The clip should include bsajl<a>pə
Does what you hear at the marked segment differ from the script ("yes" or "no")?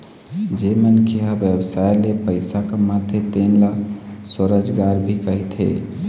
yes